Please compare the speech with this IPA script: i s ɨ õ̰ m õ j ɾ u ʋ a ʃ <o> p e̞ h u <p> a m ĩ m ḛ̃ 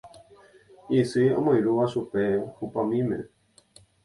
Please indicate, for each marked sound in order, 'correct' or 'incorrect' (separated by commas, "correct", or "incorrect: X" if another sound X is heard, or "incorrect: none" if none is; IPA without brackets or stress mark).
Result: incorrect: u, correct